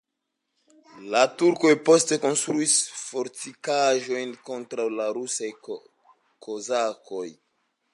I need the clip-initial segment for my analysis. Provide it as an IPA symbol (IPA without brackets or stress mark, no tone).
l